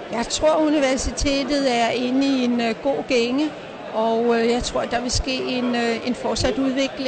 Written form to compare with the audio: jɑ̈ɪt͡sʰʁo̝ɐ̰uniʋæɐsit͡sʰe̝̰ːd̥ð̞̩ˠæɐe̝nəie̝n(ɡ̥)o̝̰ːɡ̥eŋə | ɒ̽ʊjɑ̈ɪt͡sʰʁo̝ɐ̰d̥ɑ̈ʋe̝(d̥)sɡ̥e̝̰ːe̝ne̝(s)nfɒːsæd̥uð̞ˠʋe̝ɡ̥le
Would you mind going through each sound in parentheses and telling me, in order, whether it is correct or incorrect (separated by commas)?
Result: correct, incorrect, incorrect